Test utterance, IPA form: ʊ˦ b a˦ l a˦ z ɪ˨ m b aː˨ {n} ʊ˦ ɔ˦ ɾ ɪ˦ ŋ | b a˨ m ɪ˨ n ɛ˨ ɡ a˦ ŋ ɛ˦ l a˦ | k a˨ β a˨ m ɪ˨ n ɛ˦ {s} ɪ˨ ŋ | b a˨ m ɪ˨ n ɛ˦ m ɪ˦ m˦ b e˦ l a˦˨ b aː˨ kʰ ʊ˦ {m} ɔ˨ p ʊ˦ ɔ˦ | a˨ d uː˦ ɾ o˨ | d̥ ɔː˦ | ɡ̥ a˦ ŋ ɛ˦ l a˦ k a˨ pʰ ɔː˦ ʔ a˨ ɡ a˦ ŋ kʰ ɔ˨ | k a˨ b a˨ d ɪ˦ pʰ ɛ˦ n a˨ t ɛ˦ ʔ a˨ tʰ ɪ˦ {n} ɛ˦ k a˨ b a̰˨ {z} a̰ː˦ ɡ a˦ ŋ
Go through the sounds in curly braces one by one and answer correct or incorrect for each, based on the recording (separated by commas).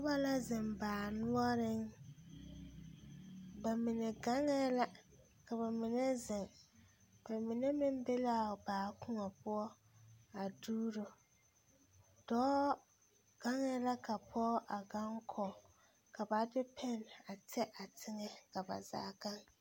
correct, incorrect, incorrect, incorrect, correct